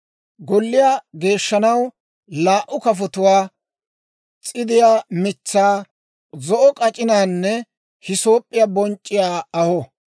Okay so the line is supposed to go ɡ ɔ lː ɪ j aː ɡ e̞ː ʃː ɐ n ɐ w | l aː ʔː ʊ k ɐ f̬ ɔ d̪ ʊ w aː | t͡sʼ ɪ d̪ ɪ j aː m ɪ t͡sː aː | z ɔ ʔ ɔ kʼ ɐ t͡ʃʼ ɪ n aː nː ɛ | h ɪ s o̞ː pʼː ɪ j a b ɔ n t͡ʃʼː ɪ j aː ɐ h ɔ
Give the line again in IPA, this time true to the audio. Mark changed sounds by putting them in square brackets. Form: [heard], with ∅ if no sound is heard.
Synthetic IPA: ɡ ɔ lː ɪ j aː ɡ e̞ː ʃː ɐ n ɐ w | l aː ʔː ʊ k ɐ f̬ ɔ [t̪] ʊ w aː | t͡sʼ ɪ d̪ ɪ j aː m ɪ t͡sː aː | z ɔ ʔ ɔ kʼ ɐ t͡ʃʼ ɪ n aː nː ɛ | h ɪ s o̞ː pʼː ɪ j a b ɔ n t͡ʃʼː ɪ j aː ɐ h ɔ